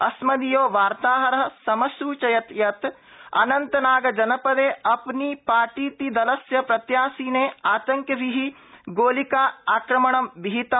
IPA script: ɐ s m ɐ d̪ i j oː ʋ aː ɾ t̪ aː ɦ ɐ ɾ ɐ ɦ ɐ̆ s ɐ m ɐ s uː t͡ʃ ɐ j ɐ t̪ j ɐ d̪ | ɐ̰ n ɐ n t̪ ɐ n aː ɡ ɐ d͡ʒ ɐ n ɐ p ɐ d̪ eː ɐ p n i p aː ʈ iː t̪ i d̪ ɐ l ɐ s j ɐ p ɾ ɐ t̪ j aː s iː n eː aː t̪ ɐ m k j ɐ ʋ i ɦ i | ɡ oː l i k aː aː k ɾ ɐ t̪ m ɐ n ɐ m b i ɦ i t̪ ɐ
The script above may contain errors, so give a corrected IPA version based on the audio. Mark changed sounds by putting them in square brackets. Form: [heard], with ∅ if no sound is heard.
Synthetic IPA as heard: ɐ s m ɐ d̪ i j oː ʋ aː ɾ t̪ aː ɦ ɐ ɾ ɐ ɦ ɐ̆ s ɐ m ɐ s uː t͡ʃ ɐ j ɐ t̪ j ɐ [t̪] | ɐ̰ n ɐ n t̪ ɐ n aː ɡ ɐ d͡ʒ ɐ n ɐ p ɐ d̪ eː ɐ p n i p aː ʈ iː t̪ i d̪ ɐ l ɐ s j ɐ p ɾ ɐ t̪ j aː s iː n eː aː t̪ ɐ [ŋ] k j ɐ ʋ i ɦ i | ɡ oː l i k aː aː k ɾ ɐ [∅] m ɐ [ɳ] ɐ m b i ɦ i t̪ ɐ

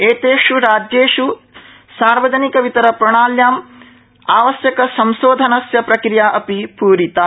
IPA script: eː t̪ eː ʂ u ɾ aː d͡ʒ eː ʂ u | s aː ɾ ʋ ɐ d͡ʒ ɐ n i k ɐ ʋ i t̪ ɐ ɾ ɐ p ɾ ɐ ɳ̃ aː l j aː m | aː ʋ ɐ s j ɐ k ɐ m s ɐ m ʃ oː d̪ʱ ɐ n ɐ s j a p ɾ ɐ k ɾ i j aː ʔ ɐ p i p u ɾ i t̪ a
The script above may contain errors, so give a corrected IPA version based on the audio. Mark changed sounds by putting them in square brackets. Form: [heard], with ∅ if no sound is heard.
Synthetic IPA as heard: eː t̪ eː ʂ u ɾ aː d͡ʒ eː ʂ u | s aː ɾ ʋ ɐ d͡ʒ ɐ n i k ɐ ʋ i t̪ ɐ ɾ ɐ p ɾ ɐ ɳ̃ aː l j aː m | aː ʋ ɐ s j ɐ k ɐ [∅] s ɐ m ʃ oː d̪ʱ ɐ n ɐ s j [ɐ] p ɾ ɐ k ɾ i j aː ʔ ɐ p i p [uː] ɾ i t̪ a

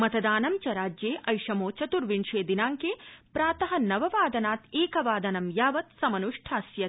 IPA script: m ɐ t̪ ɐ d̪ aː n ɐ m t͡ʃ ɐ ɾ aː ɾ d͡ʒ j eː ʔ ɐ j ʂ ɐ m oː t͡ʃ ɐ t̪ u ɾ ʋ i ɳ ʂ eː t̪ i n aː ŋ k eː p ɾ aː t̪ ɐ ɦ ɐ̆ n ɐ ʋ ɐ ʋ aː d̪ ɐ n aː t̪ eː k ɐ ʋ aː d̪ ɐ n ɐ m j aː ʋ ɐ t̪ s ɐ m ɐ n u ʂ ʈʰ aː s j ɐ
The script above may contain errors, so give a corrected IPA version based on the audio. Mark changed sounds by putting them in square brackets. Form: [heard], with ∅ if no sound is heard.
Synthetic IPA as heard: m ɐ t̪ ɐ d̪ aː n ɐ m t͡ʃ ɐ ɾ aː [∅] d͡ʒ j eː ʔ ɐ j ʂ ɐ m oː t͡ʃ ɐ t̪ u ɾ ʋ i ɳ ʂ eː [d̪] i n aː ŋ k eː p ɾ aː t̪ ɐ ɦ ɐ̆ n ɐ ʋ ɐ ʋ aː d̪ ɐ n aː t̪ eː k ɐ ʋ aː d̪ ɐ n ɐ m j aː ʋ ɐ t̪ s ɐ m ɐ n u ʂ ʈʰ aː s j ɐ

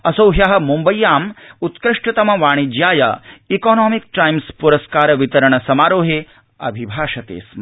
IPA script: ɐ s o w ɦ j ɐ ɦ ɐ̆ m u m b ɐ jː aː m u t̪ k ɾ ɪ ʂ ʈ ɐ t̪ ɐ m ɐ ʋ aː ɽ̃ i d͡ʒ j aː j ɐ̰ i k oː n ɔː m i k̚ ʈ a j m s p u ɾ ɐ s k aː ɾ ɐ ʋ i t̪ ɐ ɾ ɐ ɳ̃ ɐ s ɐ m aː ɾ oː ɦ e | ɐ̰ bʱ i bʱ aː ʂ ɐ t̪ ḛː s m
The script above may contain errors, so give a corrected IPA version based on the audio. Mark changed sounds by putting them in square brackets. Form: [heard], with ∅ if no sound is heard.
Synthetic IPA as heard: ɐ s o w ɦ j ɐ ɦ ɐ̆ m u m b ɐ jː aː m u t̪ k ɾ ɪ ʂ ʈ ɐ t̪ ɐ m ɐ ʋ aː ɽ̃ i d͡ʒ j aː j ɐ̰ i k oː n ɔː m i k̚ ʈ a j m s p u ɾ ɐ s k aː ɾ ɐ ʋ i t̪ ɐ ɾ ɐ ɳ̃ ɐ s ɐ m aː ɾ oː ɦ e | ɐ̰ bʱ i bʱ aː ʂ ɐ t̪ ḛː s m

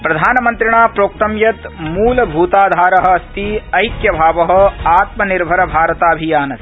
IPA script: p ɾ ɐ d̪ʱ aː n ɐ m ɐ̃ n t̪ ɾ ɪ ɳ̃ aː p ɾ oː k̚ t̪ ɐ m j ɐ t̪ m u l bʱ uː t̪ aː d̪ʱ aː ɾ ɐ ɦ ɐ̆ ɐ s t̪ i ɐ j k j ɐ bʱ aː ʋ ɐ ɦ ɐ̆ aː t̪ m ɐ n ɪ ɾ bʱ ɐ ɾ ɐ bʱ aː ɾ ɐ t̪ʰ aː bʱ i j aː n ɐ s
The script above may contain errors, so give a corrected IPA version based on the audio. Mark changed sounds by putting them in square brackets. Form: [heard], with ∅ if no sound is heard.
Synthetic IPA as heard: p ɾ ɐ d̪ʱ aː n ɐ m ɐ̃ n t̪ ɾ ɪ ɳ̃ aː p ɾ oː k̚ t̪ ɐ m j ɐ t̪ m [uː] l bʱ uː t̪ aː d̪ʱ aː ɾ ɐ ɦ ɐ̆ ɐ s t̪ i ɐ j k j ɐ bʱ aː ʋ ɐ ɦ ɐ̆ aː t̪ m ɐ n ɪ ɾ bʱ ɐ ɾ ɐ bʱ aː ɾ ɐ [t̪] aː bʱ i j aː n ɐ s

